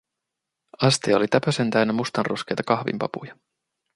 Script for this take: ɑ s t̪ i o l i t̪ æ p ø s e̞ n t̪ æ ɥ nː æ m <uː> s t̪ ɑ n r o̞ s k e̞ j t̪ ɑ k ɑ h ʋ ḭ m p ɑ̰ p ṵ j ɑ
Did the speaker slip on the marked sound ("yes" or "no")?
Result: yes